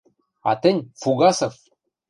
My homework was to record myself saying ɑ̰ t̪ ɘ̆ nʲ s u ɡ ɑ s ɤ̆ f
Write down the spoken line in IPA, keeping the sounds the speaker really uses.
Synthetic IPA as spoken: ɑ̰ t̪ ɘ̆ nʲ f u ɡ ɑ s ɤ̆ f

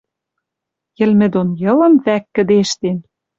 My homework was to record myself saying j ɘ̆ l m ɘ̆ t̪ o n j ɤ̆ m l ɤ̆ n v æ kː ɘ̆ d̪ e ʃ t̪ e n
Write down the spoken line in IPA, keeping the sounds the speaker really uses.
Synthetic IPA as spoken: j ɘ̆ l m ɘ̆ d̪ o n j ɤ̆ l ɤ̆ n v æ kː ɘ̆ d̪ e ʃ t̪ e n

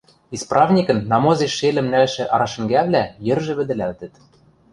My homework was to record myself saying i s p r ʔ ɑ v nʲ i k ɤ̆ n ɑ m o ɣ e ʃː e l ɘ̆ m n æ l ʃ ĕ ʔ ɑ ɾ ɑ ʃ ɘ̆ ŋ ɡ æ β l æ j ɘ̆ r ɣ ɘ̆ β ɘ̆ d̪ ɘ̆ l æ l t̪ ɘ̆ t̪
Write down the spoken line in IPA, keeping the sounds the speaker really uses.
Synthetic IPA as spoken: i s p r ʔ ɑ v nʲ i k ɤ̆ nː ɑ m o z e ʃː e l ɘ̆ m n æ l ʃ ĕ ʔ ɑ ɾ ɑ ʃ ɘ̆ ŋ ɡ æ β l æ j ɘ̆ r ʒ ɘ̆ β ɘ̆ d̪ ɘ̆ l æ l t̪ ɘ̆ t̪

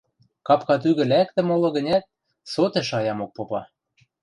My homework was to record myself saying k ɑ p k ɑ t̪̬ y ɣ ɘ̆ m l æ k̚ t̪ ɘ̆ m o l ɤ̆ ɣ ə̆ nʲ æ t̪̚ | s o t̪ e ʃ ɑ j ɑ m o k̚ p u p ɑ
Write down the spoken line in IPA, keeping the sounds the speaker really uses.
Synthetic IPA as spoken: k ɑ p k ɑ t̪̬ y ɣ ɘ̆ l æ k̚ t̪ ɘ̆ m o l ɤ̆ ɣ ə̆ nʲ æ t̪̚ | s o t̪ e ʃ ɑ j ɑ m o k̚ p o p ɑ

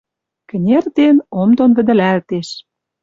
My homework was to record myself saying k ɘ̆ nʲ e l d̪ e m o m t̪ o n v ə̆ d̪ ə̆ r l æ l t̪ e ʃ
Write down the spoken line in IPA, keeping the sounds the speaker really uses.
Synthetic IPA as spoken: k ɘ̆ nʲ e r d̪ e n o m d̪ o n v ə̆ d̪ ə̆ l æ l t̪ e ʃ

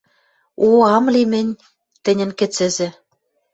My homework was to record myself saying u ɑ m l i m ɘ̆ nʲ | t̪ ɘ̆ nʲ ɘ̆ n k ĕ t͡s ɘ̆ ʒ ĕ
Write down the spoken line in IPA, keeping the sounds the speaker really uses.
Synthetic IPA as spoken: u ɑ m l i m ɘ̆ nʲ | t̪ ɘ̆ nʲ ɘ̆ n k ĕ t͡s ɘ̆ z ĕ

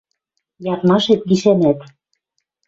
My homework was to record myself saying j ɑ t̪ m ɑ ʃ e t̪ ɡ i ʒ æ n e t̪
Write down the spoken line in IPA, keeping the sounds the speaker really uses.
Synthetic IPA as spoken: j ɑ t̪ m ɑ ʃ e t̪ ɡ i ʃ æ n æ t̪

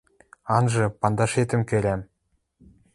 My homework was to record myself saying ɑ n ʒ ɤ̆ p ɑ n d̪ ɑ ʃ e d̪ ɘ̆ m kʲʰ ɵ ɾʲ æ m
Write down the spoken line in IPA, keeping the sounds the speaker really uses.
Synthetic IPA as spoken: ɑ n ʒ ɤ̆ p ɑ n d̪ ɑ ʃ e t̪ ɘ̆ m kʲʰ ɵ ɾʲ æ m

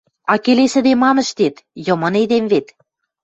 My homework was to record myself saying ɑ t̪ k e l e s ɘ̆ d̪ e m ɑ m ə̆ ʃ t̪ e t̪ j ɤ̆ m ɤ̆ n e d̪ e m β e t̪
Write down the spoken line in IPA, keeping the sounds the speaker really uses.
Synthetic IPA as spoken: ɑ k e l e s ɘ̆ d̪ e m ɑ m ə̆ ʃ t̪ e t̪ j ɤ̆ m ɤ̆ n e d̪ e m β e t̪

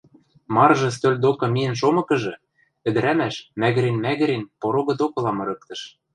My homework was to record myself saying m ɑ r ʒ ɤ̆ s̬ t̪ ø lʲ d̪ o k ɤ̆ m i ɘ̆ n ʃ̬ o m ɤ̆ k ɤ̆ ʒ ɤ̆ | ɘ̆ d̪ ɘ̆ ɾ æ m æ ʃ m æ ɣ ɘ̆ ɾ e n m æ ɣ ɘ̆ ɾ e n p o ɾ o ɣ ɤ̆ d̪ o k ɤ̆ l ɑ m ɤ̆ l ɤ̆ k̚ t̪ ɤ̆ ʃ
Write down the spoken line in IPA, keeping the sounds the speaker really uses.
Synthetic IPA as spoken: m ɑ r ʒ ɤ̆ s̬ t̪ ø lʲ d̪ o k ɤ̆ m i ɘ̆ n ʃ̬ o m ɤ̆ k ɤ̆ ʒ ɤ̆ | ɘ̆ d̪ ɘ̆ ɾ æ m æ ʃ m æ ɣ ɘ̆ ɾ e n m æ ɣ ɘ̆ ɾ e n p o ɾ o ɣ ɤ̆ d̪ o k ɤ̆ l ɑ m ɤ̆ ɾ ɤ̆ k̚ t̪ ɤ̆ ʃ

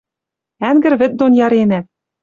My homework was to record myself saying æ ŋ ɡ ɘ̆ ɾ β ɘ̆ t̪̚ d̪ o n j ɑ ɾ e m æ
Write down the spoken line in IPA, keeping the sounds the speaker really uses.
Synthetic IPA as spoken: æ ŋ ɡ ɘ̆ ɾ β ɘ̆ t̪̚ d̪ o n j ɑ ɾ e n æ

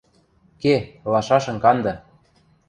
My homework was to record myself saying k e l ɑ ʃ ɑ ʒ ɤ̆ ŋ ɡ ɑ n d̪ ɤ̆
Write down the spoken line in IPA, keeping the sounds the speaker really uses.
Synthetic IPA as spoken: k e l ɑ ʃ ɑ ʃ ɤ̆ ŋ k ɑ n d̪ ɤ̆

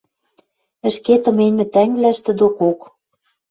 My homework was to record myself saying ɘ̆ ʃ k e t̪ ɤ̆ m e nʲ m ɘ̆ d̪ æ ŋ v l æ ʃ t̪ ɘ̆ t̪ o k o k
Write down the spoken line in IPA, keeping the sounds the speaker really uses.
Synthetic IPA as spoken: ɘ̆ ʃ k e t̪ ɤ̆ m e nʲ m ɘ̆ t̪ æ ŋ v l æ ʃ t̪ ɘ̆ d̪ o k o k

